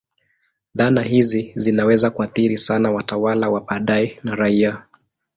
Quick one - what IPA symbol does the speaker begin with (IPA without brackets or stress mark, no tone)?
ð